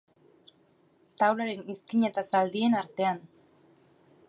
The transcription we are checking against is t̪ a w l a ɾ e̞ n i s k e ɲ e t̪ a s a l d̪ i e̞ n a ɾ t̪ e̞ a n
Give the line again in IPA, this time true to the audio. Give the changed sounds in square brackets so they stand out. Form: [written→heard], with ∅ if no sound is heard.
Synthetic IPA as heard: t̪ a w l a ɾ e̞ n i s k [e→i] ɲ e t̪ a s a l d̪ i e̞ n a ɾ t̪ e̞ a n